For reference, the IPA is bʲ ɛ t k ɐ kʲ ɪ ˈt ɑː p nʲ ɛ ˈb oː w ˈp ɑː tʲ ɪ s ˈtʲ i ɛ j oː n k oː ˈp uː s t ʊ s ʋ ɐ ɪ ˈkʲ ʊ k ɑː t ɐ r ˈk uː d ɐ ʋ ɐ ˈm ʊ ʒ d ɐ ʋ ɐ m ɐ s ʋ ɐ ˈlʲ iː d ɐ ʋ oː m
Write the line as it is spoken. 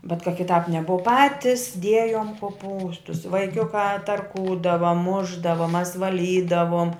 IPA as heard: bʲ ɛ t k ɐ kʲ ɪ ˈt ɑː p nʲ ɛ ˈb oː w ˈp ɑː tʲ ɪ s ˈdʲ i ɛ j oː m k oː ˈp uː s t ʊ s ʋ ɐ ɪ ˈkʲ ʊ k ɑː t ɐ r ˈk uː d ɐ ʋ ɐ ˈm ʊ ʒ d ɐ ʋ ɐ m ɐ s ʋ ɐ ˈlʲ iː d ɐ ʋ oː m

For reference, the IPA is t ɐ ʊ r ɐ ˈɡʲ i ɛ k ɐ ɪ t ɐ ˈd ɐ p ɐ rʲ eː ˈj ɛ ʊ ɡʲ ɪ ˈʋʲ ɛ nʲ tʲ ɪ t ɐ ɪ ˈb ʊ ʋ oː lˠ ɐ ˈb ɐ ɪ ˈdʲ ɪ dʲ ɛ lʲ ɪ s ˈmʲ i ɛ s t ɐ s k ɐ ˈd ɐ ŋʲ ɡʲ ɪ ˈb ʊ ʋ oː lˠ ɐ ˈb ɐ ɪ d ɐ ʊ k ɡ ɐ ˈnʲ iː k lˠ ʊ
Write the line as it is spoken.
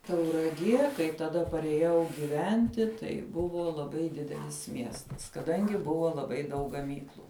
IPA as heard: t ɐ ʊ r ɐ ˈɡʲ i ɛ k ɐ ɪ t ɐ ˈd ɐ p ɐ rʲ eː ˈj ɛ ʊ ɡʲ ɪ ˈʋʲ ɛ nʲ tʲ ɪ t ɐ ɪ ˈb ʊ ʋ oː lˠ ɐ ˈb ɐ ɪ ˈdʲ ɪ dʲ ɛ lʲ ɪ s ˈmʲ i ɛ s t ɐ s k ɐ ˈd ɐ ŋʲ ɡʲ ɪ ˈb ʊ ʋ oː lˠ ɐ ˈb ɐ ɪ d ɐ ʊ k ɡ ɐ ˈmʲ iː k lˠ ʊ

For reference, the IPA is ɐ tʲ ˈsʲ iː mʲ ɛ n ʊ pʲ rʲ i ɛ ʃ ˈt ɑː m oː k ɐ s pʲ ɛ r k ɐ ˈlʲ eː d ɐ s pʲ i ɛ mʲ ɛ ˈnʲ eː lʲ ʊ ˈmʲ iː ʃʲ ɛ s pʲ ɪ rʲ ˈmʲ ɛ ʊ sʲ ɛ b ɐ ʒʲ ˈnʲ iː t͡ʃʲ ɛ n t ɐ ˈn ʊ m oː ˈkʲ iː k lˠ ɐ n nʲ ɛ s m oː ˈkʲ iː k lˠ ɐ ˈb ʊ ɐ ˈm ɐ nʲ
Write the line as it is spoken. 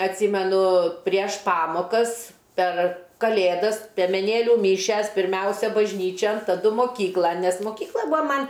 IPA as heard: ɐ tʲ ˈsʲ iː mʲ ɛ n ʊ pʲ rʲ i ɛ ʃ ˈp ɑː m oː k ɐ s pʲ ɛ r k ɐ ˈlʲ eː d ɐ s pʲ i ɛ mʲ ɛ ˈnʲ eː lʲ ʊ ˈmʲ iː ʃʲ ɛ s pʲ ɪ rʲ ˈmʲ ɛ ʊ sʲ ɛ b ɐ ʒʲ ˈnʲ iː t͡ʃʲ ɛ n t ɐ ˈd ʊ m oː ˈkʲ iː k lˠ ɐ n nʲ ɛ s m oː ˈkʲ iː k lˠ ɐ ˈb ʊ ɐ ˈm ɐ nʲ

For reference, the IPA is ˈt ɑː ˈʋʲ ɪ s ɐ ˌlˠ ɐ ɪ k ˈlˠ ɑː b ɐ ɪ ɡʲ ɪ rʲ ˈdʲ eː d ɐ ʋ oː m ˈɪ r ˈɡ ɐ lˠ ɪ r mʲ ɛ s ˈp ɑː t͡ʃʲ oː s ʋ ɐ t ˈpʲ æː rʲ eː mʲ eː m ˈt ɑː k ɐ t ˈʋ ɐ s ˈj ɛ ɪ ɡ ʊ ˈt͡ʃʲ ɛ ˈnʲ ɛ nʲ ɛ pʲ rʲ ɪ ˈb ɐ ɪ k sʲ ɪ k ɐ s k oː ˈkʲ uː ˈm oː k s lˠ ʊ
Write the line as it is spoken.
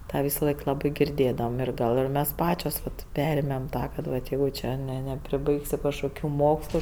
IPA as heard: ˈt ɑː ˈʋʲ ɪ s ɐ ˌlˠ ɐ ɪ k ˈlˠ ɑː b ɐ ɪ ɡʲ ɪ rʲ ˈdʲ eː d ɐ ʋ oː m ˈɪ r ˈɡ ɐ lˠ ɪ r mʲ ɛ s ˈp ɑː t͡ʃʲ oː s ʋ ɐ t ˈpʲ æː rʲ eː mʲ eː m ˈt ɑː k ɐ t ˈʋ ɐ t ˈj ɛ ɪ ɡ ʊ ˈt͡ʃʲ ɛ ˈnʲ ɛ nʲ ɛ pʲ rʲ ɪ ˈb ɐ ɪ k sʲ ɪ k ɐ ʃ k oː ˈkʲ uː ˈm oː k s lˠ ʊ

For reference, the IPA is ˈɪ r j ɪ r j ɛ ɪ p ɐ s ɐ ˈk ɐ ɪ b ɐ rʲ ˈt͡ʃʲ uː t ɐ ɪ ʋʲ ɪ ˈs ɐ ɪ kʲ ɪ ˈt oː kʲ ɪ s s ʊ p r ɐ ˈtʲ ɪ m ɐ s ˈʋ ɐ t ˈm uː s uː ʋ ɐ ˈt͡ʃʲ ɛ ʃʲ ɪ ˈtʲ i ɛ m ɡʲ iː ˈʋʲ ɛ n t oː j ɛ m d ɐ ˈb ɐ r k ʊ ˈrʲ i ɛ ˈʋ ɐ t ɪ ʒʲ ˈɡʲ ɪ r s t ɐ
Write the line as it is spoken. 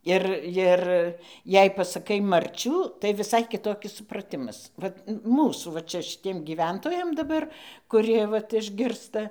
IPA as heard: ˈɪ r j ɪ r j ɛ ɪ p ɐ s ɐ ˈk ɐ ɪ m ɐ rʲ ˈt͡ʃʲ uː t ɐ ɪ ʋʲ ɪ ˈs ɐ ɪ kʲ ɪ ˈt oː kʲ ɪ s s ʊ p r ɐ ˈtʲ ɪ m ɐ s ˈʋ ɐ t ˈm uː s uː ʋ ɐ ˈt͡ʃʲ ɛ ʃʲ ɪ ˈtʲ i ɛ m ɡʲ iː ˈʋʲ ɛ n t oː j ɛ m d ɐ ˈb ɐ r k ʊ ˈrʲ i ɛ ˈʋ ɐ t ɪ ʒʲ ˈɡʲ ɪ r s t ɐ

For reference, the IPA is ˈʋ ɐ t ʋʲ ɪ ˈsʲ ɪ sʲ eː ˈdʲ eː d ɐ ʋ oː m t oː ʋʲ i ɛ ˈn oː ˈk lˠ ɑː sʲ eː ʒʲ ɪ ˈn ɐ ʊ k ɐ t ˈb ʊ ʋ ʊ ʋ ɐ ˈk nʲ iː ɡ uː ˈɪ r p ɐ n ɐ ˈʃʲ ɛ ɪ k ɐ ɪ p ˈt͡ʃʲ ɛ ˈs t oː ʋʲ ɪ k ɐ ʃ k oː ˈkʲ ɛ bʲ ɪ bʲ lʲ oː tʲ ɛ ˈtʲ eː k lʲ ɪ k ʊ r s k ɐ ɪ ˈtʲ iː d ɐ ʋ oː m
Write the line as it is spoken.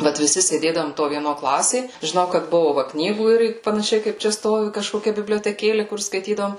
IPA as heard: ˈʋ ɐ t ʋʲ ɪ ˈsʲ ɪ sʲ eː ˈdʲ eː d ɐ ʋ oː m t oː ʋʲ i ɛ ˈn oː ˈk lˠ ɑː sʲ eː ʒʲ ɪ ˈn ɐ ʊ k ɐ t ˈb ʊ ʋ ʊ ʋ ɐ ˈk nʲ iː ɡ uː ˈɪ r p ɐ n ɐ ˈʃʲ ɛ ɪ k ɐ ɪ p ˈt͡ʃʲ ɛ ˈs t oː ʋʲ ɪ k ɐ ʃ k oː ˈkʲ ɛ bʲ ɪ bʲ lʲ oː tʲ ɛ ˈkʲ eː lʲ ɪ k ʊ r s k ɐ ɪ ˈtʲ iː d ɐ ʋ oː m

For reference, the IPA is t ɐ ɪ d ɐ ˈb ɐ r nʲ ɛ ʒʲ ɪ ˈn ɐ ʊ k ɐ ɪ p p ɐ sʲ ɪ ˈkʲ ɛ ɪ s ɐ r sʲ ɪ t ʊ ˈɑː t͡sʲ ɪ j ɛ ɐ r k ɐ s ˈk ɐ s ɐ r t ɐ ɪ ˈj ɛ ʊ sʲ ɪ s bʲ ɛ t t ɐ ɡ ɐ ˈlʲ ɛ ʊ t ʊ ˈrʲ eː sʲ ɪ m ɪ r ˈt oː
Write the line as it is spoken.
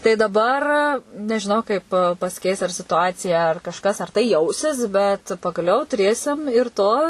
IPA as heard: t ɐ ɪ d ɐ ˈb ɐ r nʲ ɛ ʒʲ ɪ ˈn ɐ ʊ k ɐ ɪ p p ɐ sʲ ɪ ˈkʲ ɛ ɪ s ɐ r sʲ ɪ t ʊ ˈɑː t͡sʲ ɪ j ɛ ɐ r k ɐ ʃ ˈk ɐ s ɐ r t ɐ ɪ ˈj ɛ ʊ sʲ ɪ s bʲ ɛ t p ɐ ɡ ɐ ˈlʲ ɛ ʊ t ʊ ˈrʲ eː sʲ ɪ m ɪ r ˈt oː

